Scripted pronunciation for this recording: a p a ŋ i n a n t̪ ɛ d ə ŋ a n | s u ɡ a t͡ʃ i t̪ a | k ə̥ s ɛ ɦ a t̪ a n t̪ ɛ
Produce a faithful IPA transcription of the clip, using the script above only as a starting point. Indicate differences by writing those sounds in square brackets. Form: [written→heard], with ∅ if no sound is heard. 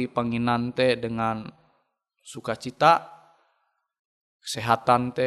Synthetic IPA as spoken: [a→i] p a ŋ i n a n t̪ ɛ d ə ŋ a n | s u [ɡ→k] a t͡ʃ i t̪ a | k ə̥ s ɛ ɦ a t̪ a n t̪ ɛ